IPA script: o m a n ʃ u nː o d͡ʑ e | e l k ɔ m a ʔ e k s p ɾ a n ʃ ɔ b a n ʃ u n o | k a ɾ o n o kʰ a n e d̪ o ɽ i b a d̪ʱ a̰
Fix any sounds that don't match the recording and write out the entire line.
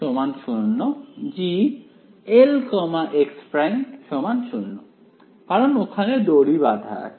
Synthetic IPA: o m a n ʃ u nː o d͡ʑ i | e l k ɔ m a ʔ e k s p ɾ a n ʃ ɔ m a n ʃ u nː o | k a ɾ o n o kʰ a n e d̪ o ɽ i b a d̪ʱ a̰